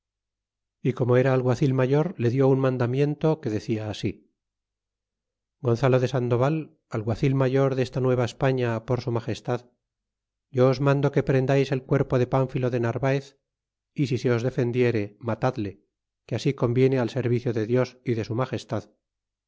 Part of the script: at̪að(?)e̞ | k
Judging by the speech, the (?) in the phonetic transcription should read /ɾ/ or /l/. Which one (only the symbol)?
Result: l